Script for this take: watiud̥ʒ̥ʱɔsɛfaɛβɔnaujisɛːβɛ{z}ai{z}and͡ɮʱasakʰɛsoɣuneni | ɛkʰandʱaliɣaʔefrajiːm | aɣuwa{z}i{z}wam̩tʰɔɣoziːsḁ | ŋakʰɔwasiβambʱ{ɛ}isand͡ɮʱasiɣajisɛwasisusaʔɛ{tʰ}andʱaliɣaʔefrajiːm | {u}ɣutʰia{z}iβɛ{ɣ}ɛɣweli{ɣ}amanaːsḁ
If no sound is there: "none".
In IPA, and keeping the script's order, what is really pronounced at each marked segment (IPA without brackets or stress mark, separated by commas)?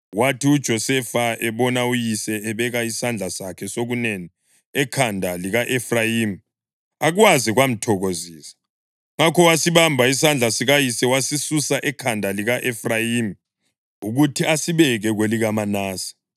ɣ, s, z, ɣ, a, kʰ, u, s, ɣ, ɣ